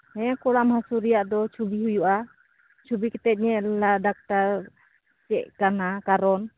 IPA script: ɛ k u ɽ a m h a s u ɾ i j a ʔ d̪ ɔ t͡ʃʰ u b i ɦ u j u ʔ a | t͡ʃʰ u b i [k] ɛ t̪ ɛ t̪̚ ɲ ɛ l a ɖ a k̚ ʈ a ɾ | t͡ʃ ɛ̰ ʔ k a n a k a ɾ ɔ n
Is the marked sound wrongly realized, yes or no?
no